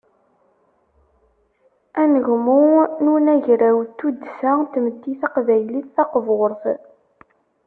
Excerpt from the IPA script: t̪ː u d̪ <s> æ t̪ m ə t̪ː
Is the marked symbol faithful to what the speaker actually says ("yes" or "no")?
yes